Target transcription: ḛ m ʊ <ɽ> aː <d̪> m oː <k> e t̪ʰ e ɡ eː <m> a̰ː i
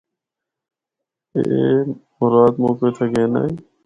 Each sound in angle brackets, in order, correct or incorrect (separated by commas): incorrect, correct, correct, incorrect